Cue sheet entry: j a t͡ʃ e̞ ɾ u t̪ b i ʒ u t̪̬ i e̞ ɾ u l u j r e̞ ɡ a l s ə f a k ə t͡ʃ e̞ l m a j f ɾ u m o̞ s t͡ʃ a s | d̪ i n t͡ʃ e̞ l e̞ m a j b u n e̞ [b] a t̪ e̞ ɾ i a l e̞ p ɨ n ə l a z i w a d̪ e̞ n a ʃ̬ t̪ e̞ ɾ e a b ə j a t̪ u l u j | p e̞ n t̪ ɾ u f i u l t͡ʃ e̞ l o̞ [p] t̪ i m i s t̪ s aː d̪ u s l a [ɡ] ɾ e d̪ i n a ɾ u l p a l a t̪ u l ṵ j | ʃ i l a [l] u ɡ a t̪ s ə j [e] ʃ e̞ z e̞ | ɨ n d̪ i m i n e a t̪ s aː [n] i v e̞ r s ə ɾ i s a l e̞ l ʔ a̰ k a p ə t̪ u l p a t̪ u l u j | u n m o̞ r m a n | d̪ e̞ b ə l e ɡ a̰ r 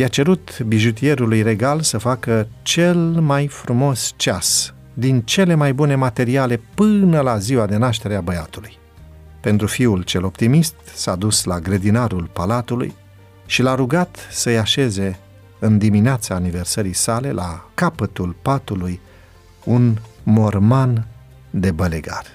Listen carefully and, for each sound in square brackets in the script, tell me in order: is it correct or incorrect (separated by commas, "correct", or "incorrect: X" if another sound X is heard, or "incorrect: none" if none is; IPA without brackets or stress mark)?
incorrect: m, correct, correct, incorrect: ɾ, incorrect: a, correct